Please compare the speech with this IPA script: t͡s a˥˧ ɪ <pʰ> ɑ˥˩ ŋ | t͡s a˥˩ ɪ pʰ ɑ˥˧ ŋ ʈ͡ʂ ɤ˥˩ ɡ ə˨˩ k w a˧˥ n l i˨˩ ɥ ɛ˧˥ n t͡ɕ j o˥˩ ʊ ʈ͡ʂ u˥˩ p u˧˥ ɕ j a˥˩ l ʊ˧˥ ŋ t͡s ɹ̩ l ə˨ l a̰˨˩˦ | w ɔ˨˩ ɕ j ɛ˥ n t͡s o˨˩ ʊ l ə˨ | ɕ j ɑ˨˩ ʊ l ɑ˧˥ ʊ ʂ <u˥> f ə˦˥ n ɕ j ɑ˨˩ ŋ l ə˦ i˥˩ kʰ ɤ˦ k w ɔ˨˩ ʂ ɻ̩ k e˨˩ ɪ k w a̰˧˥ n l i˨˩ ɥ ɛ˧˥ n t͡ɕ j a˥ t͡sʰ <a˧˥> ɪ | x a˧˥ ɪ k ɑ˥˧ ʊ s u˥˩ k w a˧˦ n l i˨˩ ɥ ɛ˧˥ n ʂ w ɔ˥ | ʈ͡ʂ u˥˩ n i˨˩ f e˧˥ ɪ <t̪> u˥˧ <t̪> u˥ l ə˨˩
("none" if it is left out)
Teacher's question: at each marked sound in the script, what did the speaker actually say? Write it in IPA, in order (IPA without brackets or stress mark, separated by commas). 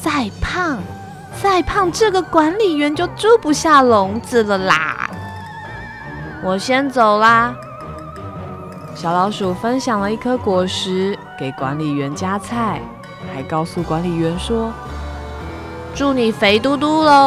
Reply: pʰ, u˨˩, a˥˩, t̪, t̪